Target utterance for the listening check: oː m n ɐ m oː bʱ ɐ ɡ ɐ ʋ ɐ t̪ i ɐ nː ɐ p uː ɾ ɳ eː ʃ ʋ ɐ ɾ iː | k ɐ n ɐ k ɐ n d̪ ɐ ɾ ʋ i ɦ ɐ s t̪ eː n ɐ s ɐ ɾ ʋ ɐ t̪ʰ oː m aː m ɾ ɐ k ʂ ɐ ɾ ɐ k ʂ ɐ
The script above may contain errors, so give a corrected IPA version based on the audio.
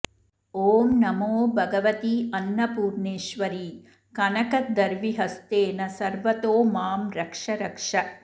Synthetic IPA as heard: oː m n ɐ m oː bʱ ɐ ɡ ɐ ʋ ɐ t̪ i ɐ nː ɐ p uː ɾ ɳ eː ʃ ʋ ɐ ɾ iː | k ɐ n ɐ k ɐ d̪ ɐ ɾ ʋ i ɦ ɐ s t̪ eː n ɐ s ɐ ɾ ʋ ɐ t̪ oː m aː m ɾ ɐ k ʂ ɐ ɾ ɐ k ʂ ɐ